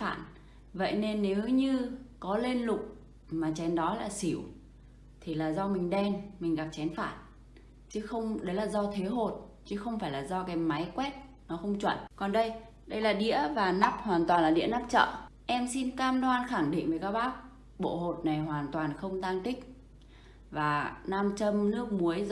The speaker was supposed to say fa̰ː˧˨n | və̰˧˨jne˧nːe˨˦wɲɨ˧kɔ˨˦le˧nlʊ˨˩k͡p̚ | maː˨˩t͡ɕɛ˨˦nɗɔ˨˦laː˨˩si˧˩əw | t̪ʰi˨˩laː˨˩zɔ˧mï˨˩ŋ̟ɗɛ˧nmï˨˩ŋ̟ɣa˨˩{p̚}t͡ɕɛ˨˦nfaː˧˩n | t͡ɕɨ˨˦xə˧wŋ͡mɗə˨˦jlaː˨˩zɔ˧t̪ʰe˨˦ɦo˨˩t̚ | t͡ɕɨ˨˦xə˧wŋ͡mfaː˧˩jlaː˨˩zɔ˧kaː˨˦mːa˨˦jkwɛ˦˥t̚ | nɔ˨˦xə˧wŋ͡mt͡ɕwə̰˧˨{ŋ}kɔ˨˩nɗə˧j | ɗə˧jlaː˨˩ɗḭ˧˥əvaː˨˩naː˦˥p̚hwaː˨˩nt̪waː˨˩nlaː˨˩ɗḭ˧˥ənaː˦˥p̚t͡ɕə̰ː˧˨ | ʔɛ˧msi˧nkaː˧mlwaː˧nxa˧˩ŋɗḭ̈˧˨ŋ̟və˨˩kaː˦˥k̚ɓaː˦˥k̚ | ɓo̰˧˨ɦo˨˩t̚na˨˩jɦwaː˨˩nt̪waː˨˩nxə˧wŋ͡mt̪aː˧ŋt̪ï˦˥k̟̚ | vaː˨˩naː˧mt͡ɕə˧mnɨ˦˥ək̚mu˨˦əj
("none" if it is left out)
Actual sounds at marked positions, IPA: p̚, n

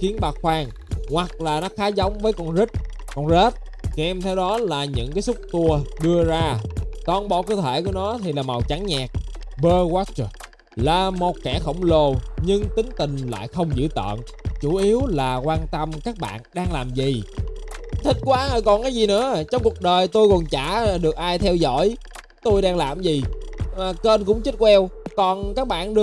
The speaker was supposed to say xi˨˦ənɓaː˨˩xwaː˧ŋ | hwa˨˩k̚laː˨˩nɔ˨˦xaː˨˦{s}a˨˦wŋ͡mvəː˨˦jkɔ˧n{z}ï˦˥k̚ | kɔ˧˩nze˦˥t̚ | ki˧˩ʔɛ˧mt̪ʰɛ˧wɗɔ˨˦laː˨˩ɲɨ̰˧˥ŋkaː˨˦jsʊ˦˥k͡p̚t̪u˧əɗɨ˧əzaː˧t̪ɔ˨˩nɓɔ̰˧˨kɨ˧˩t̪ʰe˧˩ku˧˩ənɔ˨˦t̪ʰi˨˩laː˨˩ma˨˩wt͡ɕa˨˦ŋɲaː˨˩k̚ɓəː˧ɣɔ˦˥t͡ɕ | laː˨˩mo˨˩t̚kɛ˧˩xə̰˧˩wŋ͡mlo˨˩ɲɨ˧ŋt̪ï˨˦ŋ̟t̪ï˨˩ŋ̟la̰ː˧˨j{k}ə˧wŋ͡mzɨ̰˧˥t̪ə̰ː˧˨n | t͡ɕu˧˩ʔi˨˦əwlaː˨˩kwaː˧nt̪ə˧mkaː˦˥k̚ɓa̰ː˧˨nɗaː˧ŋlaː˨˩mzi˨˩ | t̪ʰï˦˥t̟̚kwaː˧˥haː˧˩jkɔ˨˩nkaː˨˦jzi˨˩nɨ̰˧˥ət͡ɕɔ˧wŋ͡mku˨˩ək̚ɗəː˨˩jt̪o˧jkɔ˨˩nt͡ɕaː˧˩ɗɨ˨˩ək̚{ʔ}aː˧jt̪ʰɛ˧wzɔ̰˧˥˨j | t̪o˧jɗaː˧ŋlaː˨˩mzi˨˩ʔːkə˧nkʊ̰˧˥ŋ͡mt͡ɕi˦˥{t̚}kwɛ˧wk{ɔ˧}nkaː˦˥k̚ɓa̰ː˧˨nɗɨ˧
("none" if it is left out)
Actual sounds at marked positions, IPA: z, z, x, ʔ, t̚, ɔ˨˩

